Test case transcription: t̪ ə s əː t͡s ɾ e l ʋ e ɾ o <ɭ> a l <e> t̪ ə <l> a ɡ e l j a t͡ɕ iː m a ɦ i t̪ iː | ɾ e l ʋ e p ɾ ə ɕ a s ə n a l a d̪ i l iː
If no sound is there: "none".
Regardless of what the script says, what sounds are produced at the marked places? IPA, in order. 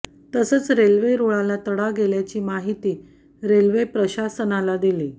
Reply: ɭ, a, ɽ

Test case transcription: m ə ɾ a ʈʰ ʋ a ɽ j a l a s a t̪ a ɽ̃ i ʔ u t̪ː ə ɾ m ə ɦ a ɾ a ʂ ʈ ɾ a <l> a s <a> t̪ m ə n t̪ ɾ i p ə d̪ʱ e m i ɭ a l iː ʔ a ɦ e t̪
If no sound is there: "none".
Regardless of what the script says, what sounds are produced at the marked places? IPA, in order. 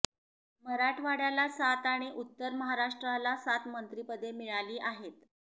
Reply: l, a

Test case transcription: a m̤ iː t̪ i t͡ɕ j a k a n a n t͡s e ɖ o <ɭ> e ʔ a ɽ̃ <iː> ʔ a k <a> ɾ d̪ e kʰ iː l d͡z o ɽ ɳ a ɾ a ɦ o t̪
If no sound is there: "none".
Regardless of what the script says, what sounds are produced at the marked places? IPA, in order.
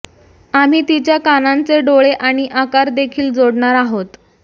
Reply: ɭ, i, a

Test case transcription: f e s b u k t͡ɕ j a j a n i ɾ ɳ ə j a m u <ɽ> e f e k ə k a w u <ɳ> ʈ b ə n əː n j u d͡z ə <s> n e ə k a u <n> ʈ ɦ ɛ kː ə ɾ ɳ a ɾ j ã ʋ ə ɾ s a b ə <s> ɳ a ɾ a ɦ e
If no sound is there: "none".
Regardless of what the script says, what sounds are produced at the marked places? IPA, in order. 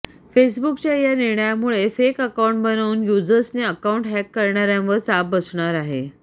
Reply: ɭ, ɳ, s, ɳ, s

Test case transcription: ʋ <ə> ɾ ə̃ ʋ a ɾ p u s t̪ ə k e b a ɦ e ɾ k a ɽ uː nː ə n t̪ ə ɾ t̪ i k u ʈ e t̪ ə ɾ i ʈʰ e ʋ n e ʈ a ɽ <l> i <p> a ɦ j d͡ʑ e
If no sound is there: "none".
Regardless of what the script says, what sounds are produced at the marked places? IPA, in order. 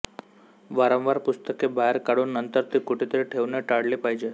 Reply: a, l, p

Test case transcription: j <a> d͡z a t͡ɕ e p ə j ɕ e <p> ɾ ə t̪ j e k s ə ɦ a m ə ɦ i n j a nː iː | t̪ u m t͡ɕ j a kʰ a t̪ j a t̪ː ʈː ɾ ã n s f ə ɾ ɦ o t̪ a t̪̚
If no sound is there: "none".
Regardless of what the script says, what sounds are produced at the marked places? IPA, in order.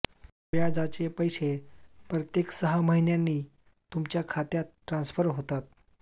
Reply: a, p

